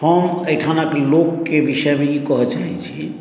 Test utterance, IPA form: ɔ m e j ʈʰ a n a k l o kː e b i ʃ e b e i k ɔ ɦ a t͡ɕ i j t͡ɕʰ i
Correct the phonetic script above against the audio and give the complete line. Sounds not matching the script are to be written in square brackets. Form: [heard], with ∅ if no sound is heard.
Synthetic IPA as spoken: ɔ m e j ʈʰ a n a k l o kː e b i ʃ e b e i k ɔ ɦ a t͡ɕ [a] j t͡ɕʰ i